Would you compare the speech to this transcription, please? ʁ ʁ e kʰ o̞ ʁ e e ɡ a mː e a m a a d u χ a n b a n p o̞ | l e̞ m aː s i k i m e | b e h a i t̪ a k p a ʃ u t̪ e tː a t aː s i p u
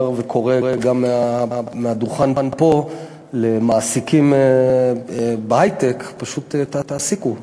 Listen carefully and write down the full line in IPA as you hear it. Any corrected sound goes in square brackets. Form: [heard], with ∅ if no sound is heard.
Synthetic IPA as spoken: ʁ [v] e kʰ o̞ ʁ e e ɡ a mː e a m [e] a d u χ a n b a n p o̞ | l e̞ m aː s i k i m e | b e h a [j] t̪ [e] k p a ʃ u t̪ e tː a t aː s i [k] u